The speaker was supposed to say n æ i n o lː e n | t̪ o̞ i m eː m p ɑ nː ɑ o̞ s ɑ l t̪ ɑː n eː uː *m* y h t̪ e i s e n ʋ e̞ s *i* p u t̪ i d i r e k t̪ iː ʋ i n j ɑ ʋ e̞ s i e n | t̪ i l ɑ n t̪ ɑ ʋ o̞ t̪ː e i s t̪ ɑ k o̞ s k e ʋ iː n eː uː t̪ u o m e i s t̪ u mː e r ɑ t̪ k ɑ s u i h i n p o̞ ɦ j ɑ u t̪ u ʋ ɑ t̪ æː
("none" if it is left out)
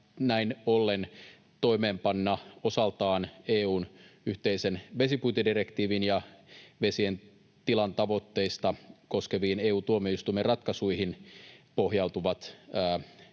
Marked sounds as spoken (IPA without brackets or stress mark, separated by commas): n, i